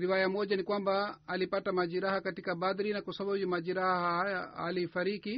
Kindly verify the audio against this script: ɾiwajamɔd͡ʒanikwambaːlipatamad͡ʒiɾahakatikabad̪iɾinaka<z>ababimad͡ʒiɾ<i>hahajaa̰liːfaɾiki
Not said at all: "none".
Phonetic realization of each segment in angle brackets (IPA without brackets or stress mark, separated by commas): s, a